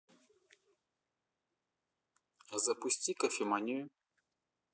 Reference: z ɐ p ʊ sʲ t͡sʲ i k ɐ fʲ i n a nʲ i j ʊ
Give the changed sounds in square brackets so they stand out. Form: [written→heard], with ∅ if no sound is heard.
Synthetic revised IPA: z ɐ p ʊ sʲ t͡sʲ i k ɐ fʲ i [n→m] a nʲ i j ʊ